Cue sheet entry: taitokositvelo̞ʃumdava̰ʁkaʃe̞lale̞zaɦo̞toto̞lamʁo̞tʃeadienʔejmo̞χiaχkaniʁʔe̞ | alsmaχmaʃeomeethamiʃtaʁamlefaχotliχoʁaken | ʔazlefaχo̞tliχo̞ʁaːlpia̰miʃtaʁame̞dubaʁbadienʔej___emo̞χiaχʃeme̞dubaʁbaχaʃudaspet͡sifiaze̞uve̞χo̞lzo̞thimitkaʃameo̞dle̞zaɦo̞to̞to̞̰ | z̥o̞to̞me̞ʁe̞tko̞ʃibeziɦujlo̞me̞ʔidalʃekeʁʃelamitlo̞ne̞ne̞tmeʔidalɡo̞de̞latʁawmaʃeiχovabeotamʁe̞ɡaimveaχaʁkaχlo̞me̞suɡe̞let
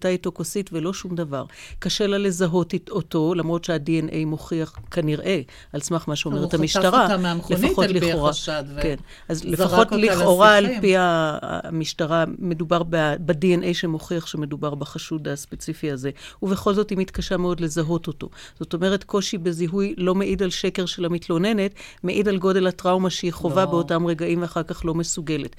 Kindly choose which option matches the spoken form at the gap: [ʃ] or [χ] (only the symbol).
ʃ